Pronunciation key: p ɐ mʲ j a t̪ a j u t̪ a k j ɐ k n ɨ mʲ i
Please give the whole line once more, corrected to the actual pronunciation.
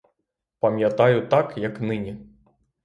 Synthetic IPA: p ɐ mʲ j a t̪ a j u t̪ a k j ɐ k n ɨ nʲ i